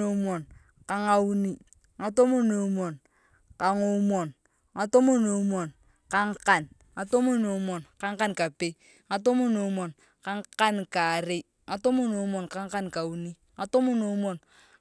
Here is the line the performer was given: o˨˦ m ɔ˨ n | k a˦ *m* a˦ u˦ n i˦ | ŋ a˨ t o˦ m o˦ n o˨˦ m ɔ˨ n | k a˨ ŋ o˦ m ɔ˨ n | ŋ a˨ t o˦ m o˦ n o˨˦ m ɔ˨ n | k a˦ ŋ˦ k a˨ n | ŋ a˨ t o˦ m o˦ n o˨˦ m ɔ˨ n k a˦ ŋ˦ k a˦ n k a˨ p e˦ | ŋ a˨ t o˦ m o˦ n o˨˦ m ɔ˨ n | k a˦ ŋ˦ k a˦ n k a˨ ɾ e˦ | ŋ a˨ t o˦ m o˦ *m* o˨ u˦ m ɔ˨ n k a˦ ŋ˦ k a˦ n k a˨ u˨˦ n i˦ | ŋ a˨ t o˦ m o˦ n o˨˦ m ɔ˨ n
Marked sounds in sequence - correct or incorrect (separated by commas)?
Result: incorrect, incorrect